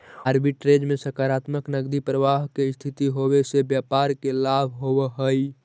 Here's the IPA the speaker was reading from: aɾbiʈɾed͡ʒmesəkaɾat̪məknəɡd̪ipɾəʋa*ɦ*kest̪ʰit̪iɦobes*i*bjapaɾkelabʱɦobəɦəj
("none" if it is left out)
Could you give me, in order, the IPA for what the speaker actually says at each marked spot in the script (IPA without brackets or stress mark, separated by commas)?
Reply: ɦ, e